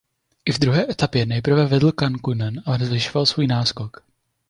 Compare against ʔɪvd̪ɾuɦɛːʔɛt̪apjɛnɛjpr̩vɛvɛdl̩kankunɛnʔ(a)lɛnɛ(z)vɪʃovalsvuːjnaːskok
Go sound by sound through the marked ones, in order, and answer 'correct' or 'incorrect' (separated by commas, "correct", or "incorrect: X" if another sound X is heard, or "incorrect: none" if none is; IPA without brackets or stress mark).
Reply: correct, correct